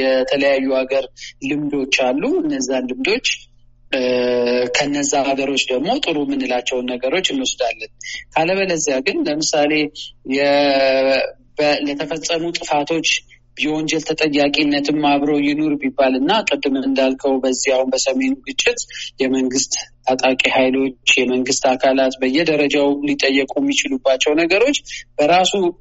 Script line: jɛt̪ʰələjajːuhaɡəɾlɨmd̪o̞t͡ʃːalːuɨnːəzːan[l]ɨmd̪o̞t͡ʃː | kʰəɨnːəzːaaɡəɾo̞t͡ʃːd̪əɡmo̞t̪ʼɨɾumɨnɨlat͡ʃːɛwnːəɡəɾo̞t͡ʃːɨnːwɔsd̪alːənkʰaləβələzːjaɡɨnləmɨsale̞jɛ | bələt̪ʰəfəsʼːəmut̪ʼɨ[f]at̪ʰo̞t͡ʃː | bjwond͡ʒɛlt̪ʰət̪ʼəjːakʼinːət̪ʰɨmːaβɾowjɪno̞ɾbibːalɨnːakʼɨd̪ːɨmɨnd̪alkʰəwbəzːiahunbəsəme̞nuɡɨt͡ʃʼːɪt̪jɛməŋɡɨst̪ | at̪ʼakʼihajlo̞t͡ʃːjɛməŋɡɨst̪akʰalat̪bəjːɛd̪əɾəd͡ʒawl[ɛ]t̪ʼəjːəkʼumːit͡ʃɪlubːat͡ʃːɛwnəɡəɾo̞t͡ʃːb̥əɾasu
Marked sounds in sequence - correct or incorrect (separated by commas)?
correct, correct, incorrect